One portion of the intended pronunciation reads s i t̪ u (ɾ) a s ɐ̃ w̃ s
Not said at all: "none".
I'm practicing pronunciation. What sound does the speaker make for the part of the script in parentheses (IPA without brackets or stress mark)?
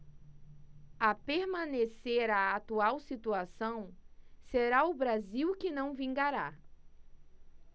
none